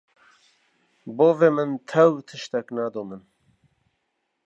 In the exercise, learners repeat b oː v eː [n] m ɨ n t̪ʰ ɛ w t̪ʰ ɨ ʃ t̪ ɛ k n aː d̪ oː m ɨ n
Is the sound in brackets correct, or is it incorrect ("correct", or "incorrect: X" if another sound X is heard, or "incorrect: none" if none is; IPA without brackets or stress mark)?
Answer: incorrect: none